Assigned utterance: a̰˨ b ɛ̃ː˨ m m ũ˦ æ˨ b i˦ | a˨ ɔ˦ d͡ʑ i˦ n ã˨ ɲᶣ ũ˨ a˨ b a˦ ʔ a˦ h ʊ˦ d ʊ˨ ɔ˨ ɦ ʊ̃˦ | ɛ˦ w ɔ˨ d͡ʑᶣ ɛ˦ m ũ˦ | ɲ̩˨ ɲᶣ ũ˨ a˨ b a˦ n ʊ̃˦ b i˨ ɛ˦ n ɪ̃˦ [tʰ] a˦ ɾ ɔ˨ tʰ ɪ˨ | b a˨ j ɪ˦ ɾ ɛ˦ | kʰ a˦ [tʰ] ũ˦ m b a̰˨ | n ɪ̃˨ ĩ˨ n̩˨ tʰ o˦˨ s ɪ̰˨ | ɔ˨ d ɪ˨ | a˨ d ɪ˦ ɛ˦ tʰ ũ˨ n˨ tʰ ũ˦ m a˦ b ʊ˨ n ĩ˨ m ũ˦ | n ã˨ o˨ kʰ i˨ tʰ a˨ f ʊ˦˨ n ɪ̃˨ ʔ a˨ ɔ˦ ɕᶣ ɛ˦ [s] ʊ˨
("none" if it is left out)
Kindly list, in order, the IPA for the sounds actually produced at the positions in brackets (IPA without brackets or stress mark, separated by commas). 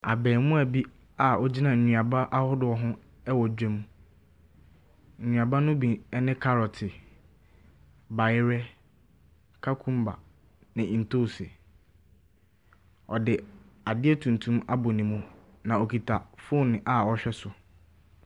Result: kʰ, kʰ, s